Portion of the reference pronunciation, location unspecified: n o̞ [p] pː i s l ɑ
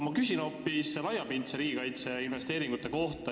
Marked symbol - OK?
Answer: yes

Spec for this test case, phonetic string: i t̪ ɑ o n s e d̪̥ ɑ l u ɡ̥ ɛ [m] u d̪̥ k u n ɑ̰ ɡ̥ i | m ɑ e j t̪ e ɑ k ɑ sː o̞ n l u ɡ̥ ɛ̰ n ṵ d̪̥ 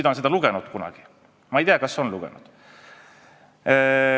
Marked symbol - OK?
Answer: no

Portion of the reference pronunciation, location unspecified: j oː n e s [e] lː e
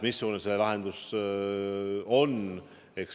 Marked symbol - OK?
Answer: yes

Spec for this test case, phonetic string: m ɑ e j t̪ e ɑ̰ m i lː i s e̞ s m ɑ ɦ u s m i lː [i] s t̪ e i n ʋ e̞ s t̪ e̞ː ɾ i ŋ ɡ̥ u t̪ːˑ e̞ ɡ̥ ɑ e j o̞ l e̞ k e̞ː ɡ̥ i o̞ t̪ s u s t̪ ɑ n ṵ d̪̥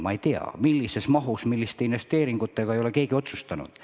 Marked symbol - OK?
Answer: yes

